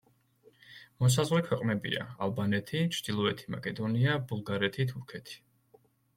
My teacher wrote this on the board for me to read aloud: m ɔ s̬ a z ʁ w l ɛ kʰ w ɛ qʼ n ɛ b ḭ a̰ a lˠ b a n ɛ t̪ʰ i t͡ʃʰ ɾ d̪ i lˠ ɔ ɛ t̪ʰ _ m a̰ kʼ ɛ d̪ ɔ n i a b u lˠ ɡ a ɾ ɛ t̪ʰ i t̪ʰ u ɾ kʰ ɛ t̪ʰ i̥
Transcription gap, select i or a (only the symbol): i